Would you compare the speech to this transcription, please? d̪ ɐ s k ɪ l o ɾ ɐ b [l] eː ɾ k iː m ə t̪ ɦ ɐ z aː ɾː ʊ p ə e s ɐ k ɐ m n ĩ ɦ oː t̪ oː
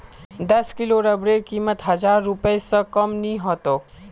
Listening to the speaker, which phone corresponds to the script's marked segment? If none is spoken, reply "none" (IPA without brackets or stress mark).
ɾ